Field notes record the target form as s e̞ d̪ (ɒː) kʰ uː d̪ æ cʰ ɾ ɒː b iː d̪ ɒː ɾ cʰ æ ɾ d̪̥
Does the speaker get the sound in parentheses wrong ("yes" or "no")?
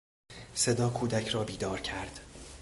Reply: no